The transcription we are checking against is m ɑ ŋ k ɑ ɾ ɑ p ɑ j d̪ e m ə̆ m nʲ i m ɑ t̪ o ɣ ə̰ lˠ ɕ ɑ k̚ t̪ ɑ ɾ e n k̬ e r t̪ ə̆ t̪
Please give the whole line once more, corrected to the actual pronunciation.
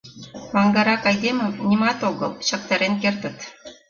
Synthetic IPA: m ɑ ŋ ɡ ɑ ɾ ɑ k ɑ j d̪ e m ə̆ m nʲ i m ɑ t̪ o ɣ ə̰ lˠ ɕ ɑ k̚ t̪ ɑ ɾ e n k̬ e r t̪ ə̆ t̪